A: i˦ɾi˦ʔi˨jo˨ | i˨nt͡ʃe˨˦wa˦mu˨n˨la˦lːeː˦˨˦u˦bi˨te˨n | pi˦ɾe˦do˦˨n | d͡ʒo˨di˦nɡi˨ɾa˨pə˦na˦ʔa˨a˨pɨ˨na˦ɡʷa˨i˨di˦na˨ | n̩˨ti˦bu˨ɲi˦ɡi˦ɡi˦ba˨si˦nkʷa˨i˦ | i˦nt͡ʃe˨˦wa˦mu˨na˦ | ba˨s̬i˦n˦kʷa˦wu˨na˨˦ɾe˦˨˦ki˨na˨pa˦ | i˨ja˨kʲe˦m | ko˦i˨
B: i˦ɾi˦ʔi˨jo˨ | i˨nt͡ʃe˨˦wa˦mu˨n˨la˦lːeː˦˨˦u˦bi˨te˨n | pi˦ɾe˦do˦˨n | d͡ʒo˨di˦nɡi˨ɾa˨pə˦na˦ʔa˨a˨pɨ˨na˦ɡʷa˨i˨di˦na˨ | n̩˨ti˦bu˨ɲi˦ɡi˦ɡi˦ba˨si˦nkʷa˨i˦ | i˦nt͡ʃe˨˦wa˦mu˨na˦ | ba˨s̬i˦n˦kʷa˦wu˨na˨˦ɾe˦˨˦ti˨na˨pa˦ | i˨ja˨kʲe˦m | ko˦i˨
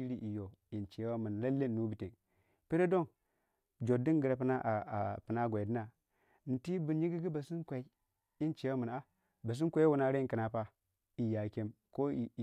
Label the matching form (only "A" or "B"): A